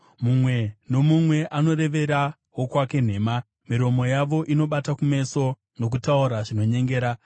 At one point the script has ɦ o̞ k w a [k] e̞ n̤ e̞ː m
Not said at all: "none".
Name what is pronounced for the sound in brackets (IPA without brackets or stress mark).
k